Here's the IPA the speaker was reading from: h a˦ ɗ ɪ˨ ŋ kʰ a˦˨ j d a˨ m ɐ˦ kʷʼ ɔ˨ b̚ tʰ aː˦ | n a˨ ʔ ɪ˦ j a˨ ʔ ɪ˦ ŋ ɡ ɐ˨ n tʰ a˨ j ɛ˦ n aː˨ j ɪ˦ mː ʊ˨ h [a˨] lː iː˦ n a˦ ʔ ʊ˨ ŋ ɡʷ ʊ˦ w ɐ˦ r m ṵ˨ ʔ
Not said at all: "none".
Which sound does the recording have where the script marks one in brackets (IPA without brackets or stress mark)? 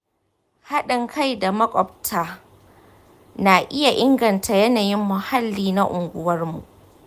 a˦